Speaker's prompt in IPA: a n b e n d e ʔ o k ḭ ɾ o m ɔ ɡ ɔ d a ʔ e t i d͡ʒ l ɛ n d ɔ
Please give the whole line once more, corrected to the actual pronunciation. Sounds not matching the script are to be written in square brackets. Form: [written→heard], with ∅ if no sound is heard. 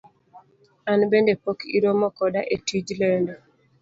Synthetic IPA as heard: a n b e n d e [ʔ→p] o k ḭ ɾ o m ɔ [ɡ→k] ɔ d a ʔ e t i d͡ʒ l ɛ n d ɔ